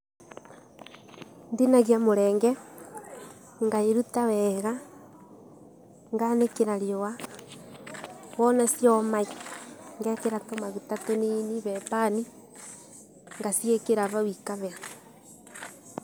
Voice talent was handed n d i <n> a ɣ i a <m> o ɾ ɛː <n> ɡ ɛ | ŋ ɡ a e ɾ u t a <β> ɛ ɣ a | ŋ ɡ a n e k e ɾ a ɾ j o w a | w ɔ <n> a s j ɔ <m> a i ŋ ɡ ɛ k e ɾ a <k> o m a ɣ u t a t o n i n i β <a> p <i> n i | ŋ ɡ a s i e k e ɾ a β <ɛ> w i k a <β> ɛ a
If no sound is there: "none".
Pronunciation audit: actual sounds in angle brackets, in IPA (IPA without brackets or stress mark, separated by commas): n, m, ŋ, w, n, m, t, ɛ, a, a, β